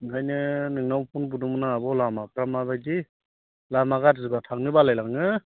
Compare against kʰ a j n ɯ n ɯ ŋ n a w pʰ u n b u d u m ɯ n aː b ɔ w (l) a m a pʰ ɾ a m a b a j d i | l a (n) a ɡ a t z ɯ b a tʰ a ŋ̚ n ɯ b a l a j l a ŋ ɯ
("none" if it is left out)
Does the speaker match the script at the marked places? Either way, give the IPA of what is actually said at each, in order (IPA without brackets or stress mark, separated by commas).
l, m